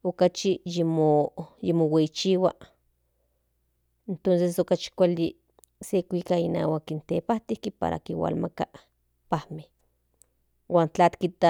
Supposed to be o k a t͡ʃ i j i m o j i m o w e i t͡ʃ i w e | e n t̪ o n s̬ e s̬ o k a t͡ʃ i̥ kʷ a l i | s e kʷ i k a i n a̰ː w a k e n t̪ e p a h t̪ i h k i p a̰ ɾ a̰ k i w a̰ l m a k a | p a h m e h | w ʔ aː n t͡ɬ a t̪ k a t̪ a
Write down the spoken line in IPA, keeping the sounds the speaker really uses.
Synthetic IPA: o k a t͡ʃ i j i m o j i m o w e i t͡ʃ i w a | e n t̪ o n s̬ e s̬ o k a t͡ʃ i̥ kʷ a l i | s e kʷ i k a i n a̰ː w a k i n t̪ e p a h t̪ i h k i p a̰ ɾ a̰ k i w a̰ l m a k a | p a h m e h | w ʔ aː n t͡ɬ a t̪ k i t̪ a